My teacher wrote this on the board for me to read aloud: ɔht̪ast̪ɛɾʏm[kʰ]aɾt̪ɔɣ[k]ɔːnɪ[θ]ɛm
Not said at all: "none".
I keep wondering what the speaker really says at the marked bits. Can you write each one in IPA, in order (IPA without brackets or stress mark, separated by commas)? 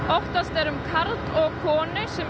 kʰ, kʰ, s